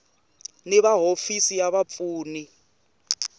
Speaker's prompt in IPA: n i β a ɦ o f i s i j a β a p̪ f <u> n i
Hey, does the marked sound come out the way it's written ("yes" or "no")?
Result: no